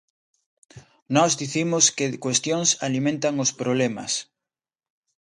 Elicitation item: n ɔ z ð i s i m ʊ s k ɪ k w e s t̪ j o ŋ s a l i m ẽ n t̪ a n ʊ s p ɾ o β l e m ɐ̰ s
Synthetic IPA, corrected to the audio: n ɔ z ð i θ i m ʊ s k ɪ k w e s t̪ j o ŋ s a l i m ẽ n t̪ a ŋ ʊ s p ɾ o β l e m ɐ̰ s